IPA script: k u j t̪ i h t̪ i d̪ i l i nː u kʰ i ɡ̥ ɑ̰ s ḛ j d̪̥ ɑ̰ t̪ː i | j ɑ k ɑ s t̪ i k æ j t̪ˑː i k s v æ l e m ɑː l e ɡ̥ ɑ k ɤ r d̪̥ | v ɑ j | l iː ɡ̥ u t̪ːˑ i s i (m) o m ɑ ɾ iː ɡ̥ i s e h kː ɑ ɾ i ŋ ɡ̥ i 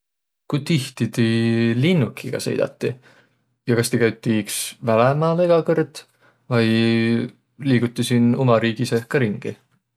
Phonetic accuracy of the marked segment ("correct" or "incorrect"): incorrect